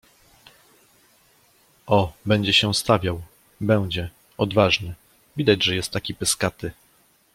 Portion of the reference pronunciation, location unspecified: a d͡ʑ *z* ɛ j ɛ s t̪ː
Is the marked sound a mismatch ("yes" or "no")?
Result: yes